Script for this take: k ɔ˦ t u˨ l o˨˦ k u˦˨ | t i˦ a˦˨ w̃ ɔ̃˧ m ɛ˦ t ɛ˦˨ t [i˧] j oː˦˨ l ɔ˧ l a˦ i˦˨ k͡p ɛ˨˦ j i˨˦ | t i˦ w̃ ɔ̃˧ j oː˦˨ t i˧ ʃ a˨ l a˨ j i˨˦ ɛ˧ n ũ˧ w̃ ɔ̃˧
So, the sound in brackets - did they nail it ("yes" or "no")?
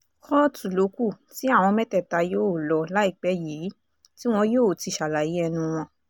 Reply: no